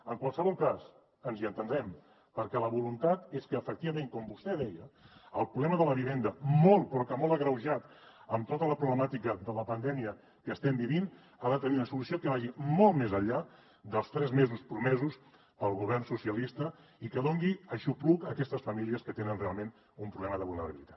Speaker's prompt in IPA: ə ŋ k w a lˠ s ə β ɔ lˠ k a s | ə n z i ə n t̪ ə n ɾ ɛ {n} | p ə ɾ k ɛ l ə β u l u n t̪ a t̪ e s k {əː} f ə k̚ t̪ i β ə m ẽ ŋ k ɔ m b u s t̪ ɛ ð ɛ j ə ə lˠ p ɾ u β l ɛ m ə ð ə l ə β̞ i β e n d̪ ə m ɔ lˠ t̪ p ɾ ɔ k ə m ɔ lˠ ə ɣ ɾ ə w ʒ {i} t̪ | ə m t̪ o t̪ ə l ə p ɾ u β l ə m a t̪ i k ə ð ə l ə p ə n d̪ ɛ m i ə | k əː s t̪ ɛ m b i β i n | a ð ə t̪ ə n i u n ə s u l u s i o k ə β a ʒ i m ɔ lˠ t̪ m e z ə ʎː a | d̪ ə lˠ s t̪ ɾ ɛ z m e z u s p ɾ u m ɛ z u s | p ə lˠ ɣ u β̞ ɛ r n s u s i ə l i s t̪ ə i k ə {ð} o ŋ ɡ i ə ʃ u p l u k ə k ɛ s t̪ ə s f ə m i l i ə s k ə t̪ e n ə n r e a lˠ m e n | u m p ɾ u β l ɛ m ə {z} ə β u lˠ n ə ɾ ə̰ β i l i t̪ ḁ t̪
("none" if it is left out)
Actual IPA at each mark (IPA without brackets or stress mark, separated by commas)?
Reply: m, əː, a, ð, ð